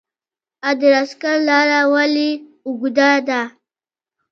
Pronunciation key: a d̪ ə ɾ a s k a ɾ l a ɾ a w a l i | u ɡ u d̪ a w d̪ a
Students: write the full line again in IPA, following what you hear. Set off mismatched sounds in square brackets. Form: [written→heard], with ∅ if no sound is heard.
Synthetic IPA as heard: a d̪ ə ɾ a s k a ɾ l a ɾ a w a l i | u ɡ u d̪ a [w→∅] d̪ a